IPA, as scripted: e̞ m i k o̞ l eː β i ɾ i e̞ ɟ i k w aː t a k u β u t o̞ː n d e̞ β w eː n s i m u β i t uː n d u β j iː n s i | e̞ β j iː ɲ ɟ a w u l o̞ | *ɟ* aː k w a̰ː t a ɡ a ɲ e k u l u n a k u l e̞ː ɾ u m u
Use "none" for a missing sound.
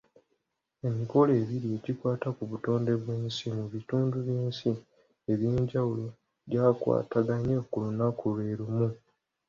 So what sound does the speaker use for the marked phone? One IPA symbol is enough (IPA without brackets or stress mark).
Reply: ɟ